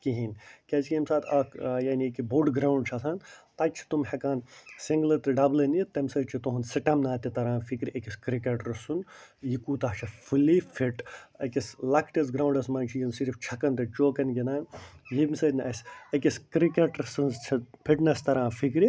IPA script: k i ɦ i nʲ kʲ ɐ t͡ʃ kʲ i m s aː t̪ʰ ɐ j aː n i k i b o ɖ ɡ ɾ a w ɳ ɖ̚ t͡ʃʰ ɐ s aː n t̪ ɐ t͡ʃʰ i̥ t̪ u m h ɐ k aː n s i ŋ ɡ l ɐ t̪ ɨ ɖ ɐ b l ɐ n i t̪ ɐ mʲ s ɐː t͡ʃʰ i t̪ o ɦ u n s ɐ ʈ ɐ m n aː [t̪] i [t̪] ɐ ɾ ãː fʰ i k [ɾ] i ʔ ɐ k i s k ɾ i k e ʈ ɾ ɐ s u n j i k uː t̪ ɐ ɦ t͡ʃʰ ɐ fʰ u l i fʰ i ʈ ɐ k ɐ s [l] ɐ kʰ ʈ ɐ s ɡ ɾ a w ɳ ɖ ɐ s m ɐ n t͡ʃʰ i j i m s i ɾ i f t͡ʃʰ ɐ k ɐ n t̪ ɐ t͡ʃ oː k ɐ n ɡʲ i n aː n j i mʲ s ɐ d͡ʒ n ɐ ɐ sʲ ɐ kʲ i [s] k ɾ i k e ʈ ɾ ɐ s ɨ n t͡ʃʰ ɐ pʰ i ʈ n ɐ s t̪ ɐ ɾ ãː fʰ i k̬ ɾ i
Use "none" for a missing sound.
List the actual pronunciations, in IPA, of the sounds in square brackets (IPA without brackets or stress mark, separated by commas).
t̪, t̪, ɾ, l, s